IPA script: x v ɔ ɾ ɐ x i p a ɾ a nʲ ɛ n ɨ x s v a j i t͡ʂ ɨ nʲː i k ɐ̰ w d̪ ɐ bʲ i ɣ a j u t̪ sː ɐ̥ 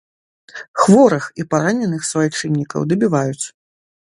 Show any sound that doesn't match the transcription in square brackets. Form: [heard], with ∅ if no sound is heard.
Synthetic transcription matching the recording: x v ɔ ɾ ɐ x i p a ɾ a nʲ ɛ n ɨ x s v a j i t͡ʂ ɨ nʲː i k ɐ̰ w d̪ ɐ bʲ i [v] a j u t̪ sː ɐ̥